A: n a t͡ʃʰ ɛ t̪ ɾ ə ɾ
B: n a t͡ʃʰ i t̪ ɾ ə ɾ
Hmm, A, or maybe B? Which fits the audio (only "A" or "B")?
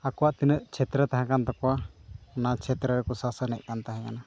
A